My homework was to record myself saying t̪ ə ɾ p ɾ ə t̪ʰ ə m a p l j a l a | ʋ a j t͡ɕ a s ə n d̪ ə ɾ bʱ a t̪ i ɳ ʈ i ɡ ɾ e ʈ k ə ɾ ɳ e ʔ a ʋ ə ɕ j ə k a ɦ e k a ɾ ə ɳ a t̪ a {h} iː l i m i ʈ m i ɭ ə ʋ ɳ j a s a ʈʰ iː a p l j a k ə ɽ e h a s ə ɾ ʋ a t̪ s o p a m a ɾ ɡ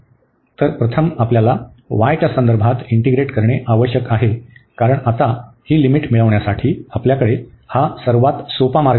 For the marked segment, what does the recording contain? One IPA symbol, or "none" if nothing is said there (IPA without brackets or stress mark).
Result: h